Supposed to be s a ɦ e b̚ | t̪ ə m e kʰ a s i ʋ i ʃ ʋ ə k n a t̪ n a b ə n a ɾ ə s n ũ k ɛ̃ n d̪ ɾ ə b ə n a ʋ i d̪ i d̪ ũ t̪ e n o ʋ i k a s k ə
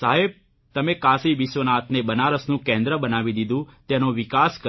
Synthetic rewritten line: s a ɦ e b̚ | t̪ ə m e k a s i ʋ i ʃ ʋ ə n a t̪ n e b ə n a ɾ ə s n ũ k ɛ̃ n d̪ ɾ ə b ə n a ʋ i d̪ i d̪ ũ t̪ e n o ʋ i k a s k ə